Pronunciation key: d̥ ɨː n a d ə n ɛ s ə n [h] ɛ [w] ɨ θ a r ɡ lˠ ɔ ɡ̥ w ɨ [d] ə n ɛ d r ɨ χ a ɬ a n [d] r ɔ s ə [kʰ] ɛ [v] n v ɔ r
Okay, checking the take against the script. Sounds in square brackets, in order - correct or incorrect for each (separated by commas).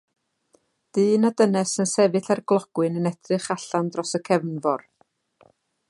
incorrect, incorrect, incorrect, correct, correct, correct